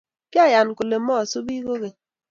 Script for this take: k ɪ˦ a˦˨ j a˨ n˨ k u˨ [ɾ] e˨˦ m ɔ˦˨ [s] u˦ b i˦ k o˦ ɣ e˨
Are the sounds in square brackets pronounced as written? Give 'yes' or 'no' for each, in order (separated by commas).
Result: no, yes